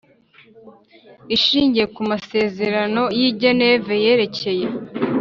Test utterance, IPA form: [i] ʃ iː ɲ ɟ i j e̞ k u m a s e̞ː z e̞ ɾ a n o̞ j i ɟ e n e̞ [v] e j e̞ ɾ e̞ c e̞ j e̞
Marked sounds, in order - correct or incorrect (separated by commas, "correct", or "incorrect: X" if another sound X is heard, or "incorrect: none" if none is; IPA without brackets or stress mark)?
correct, correct